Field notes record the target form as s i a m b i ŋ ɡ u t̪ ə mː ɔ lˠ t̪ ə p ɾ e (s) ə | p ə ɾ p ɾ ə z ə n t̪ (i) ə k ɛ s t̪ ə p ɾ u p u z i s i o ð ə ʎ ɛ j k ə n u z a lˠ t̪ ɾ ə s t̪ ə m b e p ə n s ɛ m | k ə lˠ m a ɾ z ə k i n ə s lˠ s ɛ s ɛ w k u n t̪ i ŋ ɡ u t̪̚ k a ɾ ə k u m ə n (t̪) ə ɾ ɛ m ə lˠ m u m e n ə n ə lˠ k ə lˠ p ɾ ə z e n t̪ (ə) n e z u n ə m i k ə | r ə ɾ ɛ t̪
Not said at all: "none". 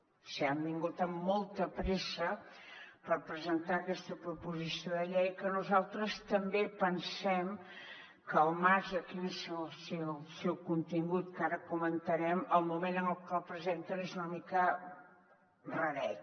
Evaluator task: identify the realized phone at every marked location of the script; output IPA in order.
s, a, t̪, ə

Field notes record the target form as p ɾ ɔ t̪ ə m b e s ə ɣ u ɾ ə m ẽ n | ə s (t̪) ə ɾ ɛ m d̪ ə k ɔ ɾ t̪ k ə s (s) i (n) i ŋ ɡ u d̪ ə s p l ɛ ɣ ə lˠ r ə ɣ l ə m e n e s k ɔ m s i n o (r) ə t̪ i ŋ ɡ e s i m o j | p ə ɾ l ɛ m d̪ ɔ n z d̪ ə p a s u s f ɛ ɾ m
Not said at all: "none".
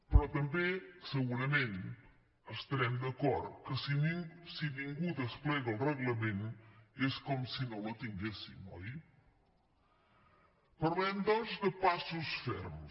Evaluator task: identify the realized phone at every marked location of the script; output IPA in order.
t̪, s, n, l

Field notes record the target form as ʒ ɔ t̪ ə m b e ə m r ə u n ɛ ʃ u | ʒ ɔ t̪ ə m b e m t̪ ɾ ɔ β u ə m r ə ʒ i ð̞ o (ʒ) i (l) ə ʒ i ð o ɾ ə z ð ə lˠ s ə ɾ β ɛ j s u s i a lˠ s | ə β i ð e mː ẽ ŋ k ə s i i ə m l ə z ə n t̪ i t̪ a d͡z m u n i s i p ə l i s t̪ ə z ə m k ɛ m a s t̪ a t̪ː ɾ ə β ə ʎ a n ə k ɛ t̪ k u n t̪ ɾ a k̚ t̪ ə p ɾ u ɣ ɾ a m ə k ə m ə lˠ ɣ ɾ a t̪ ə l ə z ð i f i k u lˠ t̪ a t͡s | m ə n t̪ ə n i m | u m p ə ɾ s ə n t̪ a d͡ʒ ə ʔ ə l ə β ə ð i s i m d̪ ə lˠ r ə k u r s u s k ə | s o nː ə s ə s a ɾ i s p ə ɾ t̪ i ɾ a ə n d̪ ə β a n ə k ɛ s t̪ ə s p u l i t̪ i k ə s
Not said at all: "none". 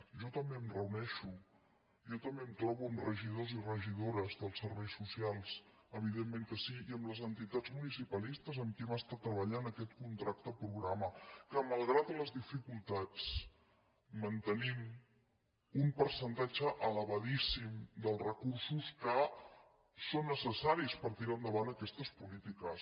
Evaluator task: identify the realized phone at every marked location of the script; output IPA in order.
z, r

